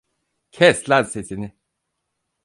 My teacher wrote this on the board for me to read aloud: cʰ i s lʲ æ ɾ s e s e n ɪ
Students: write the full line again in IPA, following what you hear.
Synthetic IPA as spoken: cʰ ɛ s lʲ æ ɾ s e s i n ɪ